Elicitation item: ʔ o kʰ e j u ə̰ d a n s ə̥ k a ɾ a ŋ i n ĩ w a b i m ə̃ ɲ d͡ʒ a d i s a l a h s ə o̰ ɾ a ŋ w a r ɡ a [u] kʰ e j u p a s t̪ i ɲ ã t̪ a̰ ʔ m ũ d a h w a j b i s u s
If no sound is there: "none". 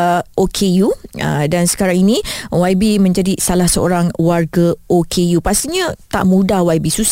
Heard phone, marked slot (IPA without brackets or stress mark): o